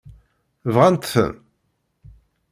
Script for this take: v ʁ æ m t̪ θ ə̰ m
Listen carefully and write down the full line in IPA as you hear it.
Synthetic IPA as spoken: v ʁ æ n t̪ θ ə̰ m